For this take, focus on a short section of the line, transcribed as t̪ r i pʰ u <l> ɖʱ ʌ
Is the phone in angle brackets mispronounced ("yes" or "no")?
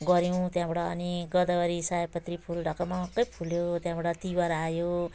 no